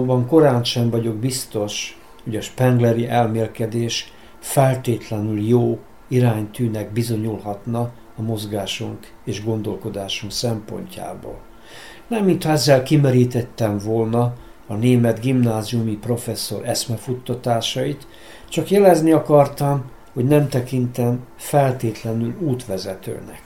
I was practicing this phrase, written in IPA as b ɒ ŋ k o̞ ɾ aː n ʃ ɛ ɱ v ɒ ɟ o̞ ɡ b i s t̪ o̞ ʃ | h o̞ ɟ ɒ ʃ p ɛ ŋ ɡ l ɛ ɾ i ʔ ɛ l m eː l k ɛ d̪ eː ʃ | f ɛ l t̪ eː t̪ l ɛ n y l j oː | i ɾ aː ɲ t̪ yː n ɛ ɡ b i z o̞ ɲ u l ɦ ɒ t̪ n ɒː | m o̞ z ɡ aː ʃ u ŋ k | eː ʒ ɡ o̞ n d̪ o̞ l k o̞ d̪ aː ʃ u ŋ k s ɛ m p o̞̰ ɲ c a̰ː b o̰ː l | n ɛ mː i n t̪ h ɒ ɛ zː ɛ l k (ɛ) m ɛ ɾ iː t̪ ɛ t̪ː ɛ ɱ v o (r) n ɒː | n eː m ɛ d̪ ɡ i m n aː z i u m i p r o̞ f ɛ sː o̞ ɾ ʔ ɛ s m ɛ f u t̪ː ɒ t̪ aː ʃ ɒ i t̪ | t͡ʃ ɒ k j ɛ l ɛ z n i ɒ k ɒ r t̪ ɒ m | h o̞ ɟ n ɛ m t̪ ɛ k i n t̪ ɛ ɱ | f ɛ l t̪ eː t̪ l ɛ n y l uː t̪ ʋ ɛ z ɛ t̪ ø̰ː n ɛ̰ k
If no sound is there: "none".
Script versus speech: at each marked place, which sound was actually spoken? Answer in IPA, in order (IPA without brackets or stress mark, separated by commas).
i, l